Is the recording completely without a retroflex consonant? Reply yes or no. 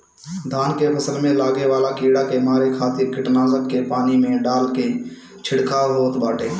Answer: no